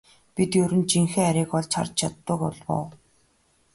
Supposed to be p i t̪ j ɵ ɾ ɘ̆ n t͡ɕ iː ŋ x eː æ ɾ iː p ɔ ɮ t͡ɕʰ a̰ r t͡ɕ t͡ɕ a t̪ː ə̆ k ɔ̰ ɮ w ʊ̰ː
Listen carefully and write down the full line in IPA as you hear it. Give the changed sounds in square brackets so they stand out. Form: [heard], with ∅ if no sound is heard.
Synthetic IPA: p i t̪ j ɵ ɾ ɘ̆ n t͡ɕ [i] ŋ x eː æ ɾ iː [k] ɔ ɮ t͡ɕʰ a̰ r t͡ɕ [t͡ɕʰ] a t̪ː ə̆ k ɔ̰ ɮ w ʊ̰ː